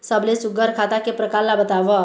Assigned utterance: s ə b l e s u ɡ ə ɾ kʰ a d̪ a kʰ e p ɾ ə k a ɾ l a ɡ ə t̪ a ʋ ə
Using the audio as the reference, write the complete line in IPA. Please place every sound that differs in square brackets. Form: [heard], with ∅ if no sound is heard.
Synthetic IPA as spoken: s ə b l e s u ɡ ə ɾ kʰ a [t̪] a [k] e p ɾ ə k a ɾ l a [b] ə t̪ a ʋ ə